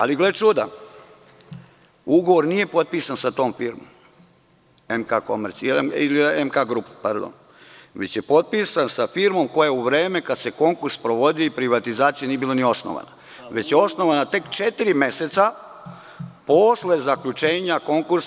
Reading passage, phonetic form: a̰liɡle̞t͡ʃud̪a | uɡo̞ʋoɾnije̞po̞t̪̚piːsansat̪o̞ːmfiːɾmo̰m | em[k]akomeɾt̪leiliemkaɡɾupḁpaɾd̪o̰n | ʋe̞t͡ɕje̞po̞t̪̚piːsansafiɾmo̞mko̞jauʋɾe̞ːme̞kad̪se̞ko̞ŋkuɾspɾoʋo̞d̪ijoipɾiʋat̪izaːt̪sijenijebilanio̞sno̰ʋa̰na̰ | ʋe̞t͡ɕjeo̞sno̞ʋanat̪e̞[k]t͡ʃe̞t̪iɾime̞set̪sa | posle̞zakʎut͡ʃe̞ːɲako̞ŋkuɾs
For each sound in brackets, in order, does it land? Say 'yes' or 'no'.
yes, yes

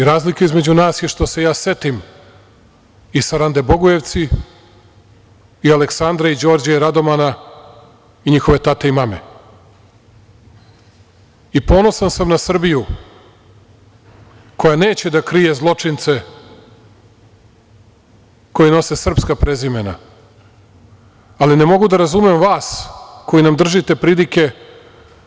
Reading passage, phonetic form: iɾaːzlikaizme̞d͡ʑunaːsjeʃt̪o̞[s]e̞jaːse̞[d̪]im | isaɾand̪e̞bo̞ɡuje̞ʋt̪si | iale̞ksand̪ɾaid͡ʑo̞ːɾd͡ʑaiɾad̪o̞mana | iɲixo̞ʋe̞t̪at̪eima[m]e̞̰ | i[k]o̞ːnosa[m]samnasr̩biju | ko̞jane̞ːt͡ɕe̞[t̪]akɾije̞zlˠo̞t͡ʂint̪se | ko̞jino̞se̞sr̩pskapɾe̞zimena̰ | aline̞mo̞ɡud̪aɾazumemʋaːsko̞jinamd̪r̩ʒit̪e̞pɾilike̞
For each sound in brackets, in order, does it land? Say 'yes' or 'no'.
yes, no, yes, no, no, no

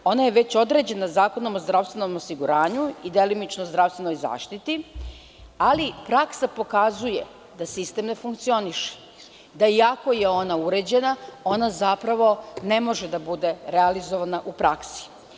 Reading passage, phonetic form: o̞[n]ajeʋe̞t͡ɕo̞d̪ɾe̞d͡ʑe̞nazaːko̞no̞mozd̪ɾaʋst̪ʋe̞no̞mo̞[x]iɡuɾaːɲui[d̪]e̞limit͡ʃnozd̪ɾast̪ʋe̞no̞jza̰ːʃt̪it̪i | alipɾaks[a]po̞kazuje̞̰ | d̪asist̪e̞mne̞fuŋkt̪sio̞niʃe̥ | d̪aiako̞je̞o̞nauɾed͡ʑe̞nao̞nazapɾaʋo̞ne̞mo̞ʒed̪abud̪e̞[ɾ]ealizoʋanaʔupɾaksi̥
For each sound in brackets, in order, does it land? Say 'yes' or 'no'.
yes, no, yes, yes, yes

